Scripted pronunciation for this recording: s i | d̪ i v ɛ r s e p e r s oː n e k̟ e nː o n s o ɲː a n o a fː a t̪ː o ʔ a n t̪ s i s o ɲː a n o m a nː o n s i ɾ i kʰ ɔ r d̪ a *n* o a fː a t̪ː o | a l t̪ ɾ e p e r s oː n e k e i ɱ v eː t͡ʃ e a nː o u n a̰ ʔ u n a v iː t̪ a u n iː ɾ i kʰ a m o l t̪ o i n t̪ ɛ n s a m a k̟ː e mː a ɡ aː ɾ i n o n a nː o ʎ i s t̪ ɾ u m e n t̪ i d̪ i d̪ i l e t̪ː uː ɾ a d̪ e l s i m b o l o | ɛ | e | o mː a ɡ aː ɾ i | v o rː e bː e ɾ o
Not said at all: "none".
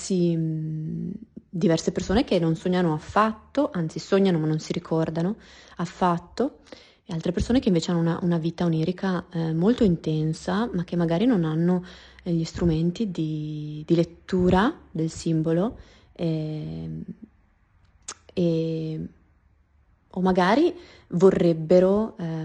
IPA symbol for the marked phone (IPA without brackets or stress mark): n